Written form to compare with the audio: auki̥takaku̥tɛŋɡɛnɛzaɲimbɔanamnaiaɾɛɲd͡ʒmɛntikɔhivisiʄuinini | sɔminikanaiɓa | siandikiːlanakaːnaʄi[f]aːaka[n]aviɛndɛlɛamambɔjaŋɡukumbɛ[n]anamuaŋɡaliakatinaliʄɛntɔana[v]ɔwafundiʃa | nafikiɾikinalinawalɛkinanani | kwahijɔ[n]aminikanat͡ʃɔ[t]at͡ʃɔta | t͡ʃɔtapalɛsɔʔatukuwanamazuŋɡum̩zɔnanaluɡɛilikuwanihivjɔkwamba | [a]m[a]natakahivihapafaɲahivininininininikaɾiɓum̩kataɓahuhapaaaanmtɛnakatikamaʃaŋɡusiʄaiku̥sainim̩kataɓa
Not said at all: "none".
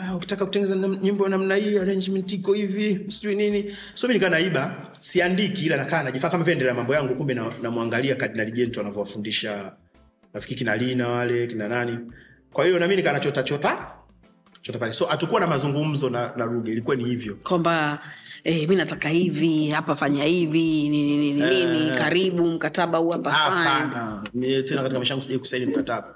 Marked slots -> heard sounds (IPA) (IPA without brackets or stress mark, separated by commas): f, m, n, v, n, t, ɛ, i